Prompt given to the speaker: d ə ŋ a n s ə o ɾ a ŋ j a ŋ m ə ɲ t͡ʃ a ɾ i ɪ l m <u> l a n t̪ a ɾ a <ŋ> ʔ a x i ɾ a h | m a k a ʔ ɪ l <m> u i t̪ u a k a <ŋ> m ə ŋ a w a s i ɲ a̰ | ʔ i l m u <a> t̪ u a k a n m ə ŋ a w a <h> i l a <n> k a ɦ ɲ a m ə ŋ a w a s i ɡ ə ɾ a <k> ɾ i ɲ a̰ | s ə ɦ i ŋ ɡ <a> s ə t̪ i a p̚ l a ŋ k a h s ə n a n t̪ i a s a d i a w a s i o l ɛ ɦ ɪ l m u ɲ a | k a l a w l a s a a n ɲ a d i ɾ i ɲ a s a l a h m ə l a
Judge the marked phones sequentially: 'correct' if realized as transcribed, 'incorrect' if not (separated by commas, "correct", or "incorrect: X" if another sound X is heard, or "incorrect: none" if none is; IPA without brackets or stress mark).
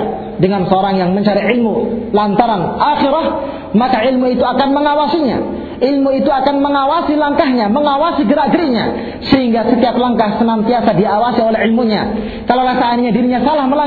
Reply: correct, incorrect: n, correct, incorrect: n, incorrect: i, incorrect: s, incorrect: ŋ, incorrect: ɡ, correct